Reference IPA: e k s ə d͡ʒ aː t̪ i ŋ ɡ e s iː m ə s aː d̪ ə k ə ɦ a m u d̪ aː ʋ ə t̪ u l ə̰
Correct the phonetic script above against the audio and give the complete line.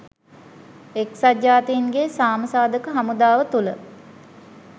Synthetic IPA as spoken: e k s a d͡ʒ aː t̪ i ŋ ɡ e s aː m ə s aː d̪ ə k ə ɦ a m u d̪ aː ʋ ə t̪ u l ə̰